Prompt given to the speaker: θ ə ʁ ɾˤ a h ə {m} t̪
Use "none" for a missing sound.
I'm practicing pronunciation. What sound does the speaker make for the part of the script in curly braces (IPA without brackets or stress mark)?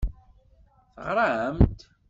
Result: m